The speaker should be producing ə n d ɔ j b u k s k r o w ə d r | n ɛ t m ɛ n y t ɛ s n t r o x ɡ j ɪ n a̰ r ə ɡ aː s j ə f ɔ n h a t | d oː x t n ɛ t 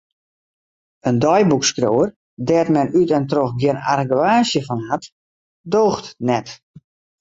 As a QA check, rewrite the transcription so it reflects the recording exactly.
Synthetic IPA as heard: ə n d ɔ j b u k s k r o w ə r | d ɛ t m ɛ n y t ɛ n t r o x ɡ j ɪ n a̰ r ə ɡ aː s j ə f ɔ n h a t | d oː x t n ɛ t